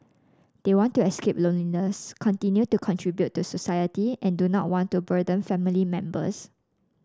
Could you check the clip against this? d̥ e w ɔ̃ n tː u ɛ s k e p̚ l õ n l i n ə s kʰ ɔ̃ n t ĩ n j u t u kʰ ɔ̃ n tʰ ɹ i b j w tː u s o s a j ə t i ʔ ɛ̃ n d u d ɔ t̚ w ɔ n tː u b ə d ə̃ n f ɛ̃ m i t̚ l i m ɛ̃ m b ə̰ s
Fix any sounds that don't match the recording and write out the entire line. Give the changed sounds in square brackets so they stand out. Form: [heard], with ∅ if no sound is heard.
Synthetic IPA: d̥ e w ɔ̃ n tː u ɛ s k e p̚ l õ n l i n ə s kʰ ɔ̃ n t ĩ n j u t u kʰ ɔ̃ n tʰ ɹ i b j [u] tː u s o s a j ə t i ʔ ɛ̃ n d u [n] ɔ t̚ w [ɔ̃] n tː u b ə d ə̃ n f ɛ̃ m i [∅] l i m ɛ̃ m b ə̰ s